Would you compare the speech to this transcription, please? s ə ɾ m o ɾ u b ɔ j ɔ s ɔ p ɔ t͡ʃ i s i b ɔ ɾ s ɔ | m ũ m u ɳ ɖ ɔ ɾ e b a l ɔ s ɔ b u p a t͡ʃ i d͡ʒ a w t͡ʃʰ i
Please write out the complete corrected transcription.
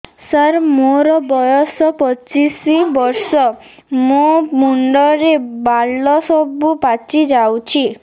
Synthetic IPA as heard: s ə ɾ m o ɾ ɔ b ɔ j ɔ s ɔ p ɔ t͡ʃ i s i b ɔ ɾ s ɔ | m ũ m u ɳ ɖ ɔ ɾ e b a l ɔ s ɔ b u p a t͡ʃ i d͡ʒ a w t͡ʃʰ i